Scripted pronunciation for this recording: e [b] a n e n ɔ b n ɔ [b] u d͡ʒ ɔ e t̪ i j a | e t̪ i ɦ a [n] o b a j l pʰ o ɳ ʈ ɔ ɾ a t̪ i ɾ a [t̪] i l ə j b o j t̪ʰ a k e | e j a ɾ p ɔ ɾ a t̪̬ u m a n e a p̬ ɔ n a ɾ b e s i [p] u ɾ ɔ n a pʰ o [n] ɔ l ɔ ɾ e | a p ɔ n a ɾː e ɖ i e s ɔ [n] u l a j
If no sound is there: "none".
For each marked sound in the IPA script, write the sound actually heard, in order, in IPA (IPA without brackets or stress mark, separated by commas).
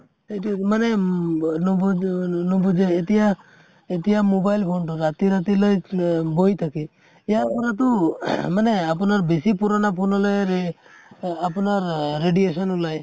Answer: m, b, m, t̪, p, n, n